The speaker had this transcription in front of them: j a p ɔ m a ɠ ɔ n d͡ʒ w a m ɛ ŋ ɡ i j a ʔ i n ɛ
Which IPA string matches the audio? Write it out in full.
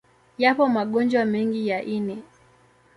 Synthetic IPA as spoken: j a p ɔ m a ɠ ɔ n d͡ʒ w a m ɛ ŋ ɡ i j a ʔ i n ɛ